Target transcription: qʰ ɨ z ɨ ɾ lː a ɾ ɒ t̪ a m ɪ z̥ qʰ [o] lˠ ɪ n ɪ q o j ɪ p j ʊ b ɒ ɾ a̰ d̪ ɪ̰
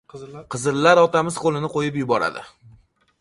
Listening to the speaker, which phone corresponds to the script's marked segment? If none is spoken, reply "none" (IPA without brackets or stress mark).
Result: o